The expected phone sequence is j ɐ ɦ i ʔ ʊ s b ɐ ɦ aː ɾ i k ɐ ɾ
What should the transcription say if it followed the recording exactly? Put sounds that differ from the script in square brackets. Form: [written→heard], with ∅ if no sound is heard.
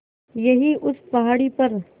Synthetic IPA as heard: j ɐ ɦ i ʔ ʊ s [b→p] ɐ ɦ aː [ɾ→ɽ] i [k→p] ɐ ɾ